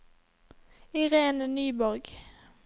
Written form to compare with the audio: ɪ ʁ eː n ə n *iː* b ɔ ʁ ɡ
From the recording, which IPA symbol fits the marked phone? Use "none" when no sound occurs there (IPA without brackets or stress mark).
yː